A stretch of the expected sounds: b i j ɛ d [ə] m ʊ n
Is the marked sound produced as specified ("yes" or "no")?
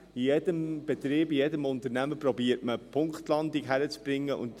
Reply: yes